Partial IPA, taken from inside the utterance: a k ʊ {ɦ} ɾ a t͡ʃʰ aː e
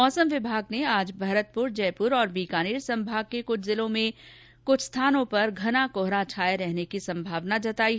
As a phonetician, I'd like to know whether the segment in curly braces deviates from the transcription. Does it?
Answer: no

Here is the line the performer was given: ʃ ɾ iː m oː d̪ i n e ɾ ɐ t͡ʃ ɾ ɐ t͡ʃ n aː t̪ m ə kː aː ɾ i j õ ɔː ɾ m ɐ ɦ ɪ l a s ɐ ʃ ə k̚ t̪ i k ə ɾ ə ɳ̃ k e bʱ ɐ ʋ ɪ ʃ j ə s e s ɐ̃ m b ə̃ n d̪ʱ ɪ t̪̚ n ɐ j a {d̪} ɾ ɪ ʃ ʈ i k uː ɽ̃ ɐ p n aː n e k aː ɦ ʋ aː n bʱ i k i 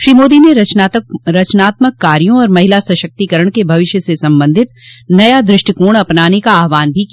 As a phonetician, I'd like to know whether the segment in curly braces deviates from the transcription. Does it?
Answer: no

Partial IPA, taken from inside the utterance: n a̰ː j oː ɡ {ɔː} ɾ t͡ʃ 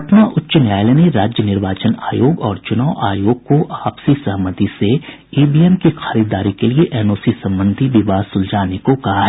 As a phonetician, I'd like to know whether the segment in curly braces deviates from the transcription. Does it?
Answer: no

